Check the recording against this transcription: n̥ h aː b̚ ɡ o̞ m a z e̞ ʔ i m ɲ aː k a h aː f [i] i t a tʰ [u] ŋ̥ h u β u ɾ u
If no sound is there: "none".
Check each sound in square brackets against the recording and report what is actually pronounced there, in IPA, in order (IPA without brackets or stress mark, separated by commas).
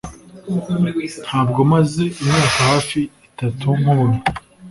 i, u